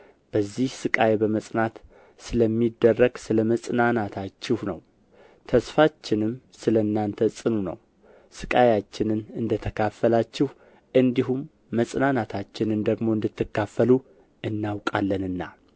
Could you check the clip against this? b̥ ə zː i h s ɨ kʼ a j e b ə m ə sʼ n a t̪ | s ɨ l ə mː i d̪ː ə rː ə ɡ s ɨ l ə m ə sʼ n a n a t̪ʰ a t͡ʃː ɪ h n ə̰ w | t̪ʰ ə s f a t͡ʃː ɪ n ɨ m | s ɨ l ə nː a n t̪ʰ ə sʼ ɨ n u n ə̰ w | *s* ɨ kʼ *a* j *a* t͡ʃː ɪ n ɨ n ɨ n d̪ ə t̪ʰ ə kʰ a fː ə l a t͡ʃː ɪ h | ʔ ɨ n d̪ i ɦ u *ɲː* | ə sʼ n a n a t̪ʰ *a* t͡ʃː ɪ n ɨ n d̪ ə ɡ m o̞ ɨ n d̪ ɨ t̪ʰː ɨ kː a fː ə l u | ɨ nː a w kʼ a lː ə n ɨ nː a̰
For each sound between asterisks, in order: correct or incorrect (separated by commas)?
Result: correct, correct, correct, incorrect, correct